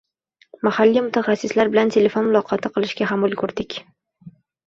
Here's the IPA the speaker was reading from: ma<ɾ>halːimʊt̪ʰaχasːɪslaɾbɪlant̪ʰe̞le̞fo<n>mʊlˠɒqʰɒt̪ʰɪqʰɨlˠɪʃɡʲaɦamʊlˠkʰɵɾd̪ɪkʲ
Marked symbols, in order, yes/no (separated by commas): no, yes